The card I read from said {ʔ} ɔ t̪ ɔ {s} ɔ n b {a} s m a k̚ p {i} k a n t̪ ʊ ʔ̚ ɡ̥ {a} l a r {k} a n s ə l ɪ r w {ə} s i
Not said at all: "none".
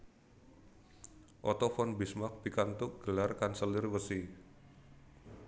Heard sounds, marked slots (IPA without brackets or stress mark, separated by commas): ʔ, f, i, i, ə, k, ə